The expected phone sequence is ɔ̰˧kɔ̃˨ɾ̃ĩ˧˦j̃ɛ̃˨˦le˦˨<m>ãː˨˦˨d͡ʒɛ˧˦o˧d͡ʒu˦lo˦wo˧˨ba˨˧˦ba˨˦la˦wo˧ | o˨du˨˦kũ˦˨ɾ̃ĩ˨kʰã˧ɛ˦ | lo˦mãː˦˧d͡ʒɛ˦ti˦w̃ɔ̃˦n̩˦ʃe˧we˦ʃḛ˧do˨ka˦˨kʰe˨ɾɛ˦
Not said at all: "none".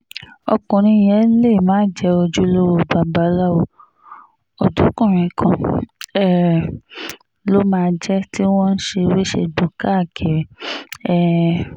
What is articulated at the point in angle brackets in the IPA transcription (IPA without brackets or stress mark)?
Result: m